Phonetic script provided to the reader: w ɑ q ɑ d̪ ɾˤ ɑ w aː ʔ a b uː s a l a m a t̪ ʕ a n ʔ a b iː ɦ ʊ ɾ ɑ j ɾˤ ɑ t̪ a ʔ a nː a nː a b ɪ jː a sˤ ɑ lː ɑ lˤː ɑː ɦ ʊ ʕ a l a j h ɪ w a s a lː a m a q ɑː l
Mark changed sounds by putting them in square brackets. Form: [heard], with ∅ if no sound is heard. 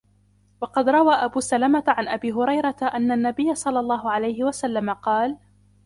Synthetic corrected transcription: w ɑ q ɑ d̪ ɾˤ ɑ w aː ʔ a b uː s a l a m a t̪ ʕ a n ʔ a b iː ɦ ʊ ɾ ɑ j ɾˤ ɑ t̪ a ʔ a nː a nː a b ɪ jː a sˤ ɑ lː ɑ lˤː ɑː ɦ ʊ ʕ a l a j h ɪ w a s a lː a m a q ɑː l

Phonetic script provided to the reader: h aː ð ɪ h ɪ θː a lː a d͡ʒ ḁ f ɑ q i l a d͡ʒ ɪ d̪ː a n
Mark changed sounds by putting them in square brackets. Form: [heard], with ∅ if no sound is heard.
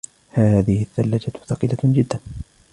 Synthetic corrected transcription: h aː ð ɪ h ɪ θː a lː a d͡ʒ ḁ [θ] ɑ q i l a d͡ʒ ɪ d̪ː a n

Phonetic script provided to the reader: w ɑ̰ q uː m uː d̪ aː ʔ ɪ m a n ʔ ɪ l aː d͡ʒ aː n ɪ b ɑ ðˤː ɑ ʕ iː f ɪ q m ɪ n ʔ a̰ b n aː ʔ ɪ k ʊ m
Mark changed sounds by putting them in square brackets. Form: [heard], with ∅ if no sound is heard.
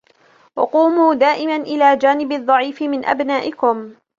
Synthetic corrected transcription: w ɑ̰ q uː m uː d̪ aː ʔ ɪ m a n ʔ ɪ l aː d͡ʒ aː n ɪ b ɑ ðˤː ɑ ʕ iː f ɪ [∅] m ɪ n ʔ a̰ b n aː ʔ ɪ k ʊ m

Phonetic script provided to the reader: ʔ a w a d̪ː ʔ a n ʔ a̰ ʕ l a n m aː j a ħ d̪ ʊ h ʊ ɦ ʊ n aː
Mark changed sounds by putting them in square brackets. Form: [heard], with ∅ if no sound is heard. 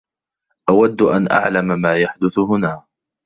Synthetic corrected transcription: ʔ a w a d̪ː ʔ a n ʔ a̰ ʕ l a [m] m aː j a ħ d̪ ʊ [θ] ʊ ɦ ʊ n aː

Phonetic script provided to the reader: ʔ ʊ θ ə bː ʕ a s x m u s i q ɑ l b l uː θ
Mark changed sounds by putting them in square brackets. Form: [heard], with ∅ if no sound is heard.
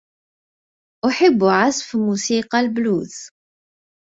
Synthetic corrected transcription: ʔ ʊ [ħ] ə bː ʕ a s [f] m u s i q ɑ l b l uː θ

